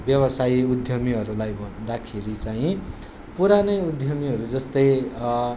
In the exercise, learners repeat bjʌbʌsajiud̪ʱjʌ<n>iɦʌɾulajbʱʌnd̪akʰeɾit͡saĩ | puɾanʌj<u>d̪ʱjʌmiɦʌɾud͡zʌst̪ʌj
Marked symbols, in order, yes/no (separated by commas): no, yes